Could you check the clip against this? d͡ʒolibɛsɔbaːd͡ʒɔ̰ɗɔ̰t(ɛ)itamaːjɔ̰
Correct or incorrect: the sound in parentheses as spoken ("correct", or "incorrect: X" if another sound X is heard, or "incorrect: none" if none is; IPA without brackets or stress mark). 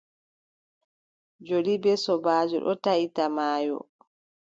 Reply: incorrect: a